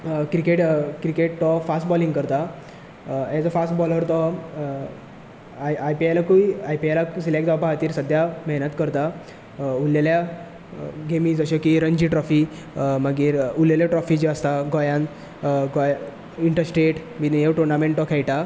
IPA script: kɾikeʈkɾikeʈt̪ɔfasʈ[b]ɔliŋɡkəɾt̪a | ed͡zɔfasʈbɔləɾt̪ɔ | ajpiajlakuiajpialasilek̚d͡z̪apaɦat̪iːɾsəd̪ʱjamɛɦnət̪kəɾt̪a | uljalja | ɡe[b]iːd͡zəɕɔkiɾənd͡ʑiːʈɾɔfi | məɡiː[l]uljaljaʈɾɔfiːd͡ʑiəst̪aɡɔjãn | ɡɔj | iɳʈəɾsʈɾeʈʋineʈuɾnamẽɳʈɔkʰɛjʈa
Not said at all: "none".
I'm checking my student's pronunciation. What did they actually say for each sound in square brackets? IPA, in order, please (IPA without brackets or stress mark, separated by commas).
b, m, ɾ